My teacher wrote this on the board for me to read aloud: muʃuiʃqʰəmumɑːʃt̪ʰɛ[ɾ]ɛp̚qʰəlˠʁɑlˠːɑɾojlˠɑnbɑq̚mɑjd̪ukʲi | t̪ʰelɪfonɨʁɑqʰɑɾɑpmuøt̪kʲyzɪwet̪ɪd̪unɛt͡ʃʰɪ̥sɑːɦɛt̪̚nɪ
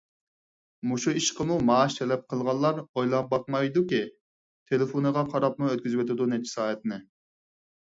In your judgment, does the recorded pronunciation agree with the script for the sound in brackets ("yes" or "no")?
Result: no